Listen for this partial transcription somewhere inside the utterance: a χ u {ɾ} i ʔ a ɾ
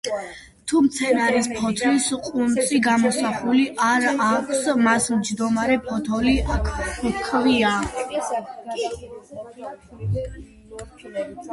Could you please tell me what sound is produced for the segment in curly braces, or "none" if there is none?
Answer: l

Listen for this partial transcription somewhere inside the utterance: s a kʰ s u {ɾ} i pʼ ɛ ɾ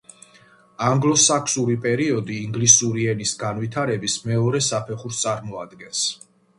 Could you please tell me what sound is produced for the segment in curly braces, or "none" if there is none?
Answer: ɾ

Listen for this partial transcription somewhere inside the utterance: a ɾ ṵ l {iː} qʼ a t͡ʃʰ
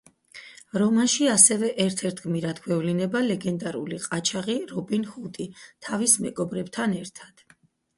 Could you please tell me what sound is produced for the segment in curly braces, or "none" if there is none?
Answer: i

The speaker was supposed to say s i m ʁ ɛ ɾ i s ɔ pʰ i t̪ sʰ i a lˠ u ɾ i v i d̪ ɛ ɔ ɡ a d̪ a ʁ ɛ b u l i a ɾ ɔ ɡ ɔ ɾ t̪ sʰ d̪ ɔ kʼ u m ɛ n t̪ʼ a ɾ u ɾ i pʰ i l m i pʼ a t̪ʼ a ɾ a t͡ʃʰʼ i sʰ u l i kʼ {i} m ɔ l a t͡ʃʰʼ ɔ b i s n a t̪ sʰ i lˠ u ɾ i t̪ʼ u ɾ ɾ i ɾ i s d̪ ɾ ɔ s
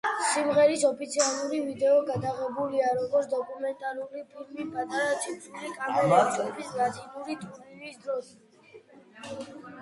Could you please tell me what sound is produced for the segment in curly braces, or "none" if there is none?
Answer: a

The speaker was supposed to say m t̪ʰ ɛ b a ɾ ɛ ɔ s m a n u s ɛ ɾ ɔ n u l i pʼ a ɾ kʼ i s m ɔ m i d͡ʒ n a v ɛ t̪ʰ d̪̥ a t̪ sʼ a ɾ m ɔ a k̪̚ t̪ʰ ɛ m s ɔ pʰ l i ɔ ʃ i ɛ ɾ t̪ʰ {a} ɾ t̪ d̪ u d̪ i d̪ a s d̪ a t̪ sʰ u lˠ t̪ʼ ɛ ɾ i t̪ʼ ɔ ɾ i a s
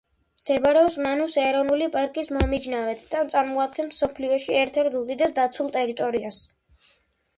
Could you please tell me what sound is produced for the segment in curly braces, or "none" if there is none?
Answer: ɛ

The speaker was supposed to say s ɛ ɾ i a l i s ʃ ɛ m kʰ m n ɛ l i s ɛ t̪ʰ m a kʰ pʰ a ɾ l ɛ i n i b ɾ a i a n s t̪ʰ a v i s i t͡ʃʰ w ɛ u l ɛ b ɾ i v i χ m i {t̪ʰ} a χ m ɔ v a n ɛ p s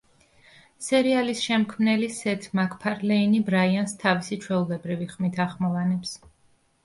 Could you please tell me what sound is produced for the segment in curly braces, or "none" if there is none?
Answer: t̪ʰ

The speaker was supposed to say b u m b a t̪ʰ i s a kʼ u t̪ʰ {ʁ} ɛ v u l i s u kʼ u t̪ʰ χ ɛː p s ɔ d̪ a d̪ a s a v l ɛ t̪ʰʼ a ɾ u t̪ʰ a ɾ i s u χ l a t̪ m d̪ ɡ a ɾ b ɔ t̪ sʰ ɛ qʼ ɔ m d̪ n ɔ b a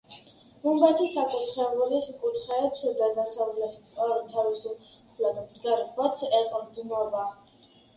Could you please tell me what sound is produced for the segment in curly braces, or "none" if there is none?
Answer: χ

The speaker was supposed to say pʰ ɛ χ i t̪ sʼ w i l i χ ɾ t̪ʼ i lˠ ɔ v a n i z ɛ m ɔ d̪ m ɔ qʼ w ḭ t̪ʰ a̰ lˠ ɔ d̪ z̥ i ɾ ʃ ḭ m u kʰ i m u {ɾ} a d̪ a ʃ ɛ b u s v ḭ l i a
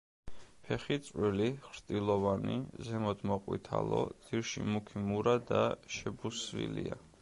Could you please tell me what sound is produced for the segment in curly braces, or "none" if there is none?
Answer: ɾ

